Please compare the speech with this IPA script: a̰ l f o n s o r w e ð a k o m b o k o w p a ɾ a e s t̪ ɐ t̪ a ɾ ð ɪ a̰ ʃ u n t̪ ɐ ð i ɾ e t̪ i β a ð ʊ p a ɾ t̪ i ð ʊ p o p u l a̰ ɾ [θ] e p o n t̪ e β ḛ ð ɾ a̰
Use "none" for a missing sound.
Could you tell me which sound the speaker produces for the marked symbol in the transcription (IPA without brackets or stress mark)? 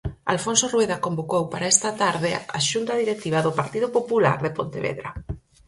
ð